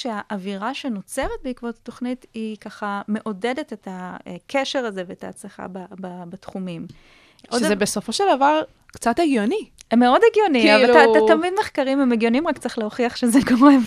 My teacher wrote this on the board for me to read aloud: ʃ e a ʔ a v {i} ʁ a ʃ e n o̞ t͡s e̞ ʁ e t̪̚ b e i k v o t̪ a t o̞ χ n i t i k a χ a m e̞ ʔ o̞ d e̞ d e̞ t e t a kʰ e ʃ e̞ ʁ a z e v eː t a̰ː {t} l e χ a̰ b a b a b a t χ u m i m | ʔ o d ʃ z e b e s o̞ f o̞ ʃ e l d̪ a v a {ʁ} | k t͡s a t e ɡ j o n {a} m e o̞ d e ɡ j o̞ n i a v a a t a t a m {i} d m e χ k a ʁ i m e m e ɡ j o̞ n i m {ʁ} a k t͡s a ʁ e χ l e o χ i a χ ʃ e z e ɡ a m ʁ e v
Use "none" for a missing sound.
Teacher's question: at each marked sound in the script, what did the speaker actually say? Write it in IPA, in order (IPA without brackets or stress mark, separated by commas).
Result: i, t͡s, ʁ, i, i, ʁ